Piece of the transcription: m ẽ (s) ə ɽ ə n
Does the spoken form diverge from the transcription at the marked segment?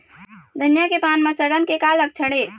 no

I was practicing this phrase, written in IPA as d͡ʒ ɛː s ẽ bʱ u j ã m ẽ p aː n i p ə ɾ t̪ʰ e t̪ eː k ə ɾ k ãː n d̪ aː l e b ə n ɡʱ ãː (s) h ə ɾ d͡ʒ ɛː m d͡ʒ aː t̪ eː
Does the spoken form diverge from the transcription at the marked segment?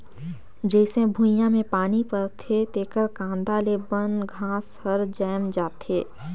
no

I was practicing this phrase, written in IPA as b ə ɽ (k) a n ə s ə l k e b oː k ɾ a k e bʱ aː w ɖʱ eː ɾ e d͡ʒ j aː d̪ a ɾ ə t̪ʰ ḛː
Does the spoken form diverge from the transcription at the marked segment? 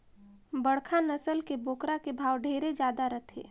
yes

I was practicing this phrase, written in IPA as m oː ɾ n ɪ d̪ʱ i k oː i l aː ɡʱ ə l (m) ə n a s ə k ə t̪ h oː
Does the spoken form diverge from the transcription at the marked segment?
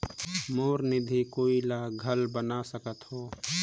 yes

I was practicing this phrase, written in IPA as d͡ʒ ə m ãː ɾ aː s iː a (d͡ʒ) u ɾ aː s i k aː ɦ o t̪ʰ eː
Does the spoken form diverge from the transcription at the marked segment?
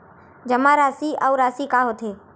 yes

